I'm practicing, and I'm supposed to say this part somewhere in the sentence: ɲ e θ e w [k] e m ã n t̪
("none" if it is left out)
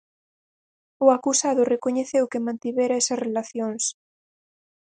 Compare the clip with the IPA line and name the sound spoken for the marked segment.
k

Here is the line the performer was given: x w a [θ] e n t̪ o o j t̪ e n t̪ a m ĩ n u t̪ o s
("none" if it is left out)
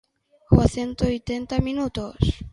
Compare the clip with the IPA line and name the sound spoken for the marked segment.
θ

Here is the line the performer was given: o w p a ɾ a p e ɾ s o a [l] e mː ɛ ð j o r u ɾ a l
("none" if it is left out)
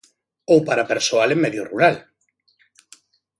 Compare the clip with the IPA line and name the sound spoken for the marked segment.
l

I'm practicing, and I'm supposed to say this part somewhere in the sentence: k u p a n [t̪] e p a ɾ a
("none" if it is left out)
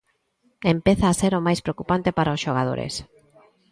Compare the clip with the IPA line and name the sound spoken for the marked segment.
t̪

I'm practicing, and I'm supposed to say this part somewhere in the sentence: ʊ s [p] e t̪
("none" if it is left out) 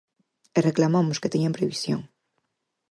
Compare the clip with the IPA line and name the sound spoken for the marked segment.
k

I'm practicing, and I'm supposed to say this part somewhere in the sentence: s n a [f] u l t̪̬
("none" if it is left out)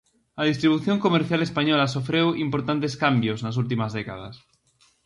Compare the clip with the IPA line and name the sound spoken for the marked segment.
s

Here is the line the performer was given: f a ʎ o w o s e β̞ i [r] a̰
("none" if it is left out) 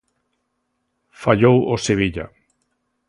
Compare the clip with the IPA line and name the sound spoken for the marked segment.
ʎ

